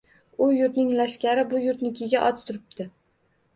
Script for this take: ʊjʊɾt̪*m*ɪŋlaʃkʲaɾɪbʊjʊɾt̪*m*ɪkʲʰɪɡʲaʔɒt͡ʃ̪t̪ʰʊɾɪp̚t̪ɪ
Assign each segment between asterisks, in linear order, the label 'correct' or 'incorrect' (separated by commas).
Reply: incorrect, incorrect